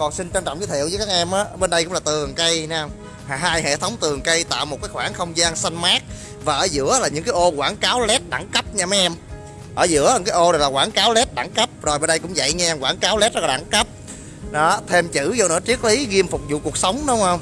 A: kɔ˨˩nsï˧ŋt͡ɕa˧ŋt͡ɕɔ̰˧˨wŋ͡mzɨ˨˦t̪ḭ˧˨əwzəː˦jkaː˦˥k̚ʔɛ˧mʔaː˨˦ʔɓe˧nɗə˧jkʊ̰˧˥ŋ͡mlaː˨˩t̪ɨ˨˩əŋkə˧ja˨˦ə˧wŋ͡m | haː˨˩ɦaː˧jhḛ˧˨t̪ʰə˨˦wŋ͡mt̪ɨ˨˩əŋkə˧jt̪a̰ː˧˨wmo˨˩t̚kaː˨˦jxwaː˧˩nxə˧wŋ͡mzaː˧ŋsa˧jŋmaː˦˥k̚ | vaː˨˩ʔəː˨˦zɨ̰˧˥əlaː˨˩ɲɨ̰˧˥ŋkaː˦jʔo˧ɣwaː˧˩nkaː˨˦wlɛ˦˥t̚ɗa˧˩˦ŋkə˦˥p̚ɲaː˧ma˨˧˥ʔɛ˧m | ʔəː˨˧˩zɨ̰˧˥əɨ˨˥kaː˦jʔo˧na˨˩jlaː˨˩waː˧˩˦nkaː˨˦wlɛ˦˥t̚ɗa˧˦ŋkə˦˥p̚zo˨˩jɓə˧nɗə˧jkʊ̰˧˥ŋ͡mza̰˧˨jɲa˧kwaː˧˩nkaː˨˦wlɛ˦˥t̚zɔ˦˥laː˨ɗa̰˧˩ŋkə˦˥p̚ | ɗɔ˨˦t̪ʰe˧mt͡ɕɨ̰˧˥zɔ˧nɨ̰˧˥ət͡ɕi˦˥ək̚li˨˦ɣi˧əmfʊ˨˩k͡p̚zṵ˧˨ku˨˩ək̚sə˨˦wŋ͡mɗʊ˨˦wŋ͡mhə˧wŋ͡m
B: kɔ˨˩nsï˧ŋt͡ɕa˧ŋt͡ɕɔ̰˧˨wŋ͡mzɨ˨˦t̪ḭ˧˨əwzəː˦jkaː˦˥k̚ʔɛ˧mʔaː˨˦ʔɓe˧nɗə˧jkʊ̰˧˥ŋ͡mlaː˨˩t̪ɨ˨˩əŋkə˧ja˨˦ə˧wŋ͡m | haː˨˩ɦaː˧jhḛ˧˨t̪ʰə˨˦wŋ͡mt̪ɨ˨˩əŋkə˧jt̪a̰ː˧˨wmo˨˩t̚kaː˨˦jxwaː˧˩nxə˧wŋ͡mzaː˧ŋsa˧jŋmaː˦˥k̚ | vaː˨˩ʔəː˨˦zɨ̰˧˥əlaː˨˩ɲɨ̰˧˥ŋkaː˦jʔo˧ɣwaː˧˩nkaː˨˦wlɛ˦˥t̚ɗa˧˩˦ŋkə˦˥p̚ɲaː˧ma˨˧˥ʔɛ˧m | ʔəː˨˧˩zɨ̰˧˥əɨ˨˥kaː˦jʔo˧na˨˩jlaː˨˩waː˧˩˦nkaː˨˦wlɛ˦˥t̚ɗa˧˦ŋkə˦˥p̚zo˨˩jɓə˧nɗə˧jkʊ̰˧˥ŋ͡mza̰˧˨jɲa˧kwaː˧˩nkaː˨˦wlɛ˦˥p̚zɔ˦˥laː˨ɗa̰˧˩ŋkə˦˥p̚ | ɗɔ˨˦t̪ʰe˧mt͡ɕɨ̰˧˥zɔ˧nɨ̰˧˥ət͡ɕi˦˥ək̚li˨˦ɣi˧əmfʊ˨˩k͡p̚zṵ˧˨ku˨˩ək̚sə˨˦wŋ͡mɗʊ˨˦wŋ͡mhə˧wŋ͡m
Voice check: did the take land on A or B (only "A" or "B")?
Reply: A